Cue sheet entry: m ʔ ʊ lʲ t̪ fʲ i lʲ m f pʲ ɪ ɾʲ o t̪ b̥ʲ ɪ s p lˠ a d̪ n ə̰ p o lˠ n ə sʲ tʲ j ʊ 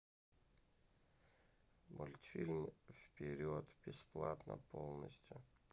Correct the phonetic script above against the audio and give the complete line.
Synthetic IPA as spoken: m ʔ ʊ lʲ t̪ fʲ i lʲ m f pʲ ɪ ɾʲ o t̪ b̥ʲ ɪ s p lˠ a t̪ n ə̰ p o lˠ n ə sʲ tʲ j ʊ